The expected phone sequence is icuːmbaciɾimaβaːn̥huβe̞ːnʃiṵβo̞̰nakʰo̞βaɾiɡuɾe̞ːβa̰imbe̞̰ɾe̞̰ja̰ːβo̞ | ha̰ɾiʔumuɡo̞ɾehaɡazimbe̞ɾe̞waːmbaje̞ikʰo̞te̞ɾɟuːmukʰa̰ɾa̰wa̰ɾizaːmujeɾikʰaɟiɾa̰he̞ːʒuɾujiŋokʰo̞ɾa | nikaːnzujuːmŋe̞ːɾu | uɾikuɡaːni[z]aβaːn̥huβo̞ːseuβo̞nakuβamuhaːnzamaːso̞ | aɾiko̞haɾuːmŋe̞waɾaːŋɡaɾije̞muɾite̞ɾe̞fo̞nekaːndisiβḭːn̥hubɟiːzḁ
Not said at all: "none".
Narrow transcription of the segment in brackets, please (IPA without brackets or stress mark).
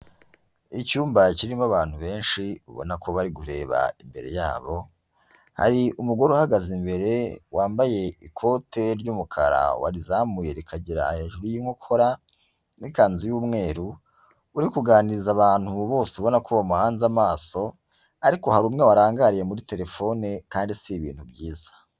z